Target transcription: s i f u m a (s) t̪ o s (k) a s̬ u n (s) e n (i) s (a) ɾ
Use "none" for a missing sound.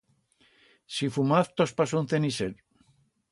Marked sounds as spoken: θ, p, θ, i, e

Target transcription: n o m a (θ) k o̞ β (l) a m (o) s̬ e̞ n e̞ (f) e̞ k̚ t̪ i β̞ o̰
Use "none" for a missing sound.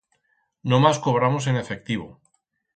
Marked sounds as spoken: s, ɾ, o, f

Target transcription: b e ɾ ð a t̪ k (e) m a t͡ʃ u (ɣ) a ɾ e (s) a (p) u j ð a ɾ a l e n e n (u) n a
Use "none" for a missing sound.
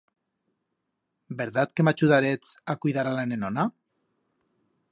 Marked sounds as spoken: e, ð, t͡s, k, o

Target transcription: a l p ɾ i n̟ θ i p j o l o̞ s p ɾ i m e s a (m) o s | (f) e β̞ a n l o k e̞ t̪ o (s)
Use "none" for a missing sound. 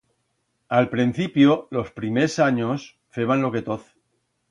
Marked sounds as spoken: ɲ, f, θ

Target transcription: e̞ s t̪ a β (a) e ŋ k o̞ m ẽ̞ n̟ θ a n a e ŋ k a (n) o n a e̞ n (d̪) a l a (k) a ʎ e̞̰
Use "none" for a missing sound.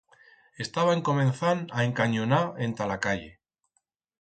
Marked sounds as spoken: a, ɲ, t̪, k

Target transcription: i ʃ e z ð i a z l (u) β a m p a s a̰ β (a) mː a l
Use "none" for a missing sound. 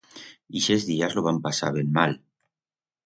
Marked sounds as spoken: o, e

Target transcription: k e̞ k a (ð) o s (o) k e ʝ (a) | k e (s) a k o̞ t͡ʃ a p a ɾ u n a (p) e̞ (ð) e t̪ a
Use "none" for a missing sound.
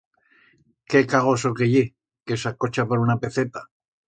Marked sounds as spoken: ɣ, o, e, s, p, θ

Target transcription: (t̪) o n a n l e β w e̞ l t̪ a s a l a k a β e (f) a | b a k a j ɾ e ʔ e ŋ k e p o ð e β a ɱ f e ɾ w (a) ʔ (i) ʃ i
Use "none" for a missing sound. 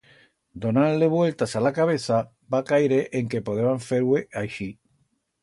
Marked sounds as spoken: d̪, θ, e, a

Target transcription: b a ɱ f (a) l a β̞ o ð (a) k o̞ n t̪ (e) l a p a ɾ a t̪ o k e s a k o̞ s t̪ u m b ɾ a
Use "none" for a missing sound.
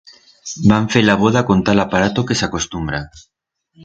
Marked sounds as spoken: e, a, a

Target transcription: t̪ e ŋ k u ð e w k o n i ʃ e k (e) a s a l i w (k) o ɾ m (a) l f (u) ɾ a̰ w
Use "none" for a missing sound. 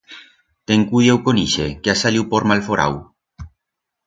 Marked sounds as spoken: e, p, a, o

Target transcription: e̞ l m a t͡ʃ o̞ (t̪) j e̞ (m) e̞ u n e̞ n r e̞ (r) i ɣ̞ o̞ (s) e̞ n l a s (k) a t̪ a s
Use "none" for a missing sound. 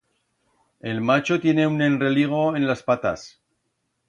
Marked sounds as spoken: t̪, n, l, none, p

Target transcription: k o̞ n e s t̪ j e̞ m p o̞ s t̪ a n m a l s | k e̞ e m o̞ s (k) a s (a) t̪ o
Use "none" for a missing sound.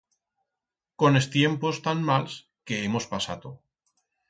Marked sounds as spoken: p, a

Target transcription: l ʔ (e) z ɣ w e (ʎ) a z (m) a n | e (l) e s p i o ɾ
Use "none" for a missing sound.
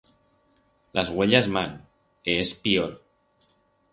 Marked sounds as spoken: a, ʎ, m, none

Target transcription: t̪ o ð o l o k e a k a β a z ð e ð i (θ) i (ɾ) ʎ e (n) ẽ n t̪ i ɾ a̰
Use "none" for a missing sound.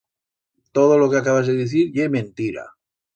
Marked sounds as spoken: θ, ɾ, m

